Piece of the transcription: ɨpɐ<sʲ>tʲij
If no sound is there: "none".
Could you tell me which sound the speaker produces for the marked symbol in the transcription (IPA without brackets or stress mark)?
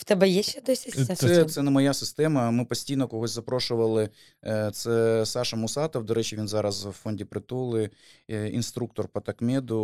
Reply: sʲ